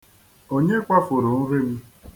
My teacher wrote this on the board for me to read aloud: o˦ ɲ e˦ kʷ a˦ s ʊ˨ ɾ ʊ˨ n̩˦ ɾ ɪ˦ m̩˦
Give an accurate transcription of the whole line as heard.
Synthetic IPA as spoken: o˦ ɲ e˦ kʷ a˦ f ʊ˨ ɾ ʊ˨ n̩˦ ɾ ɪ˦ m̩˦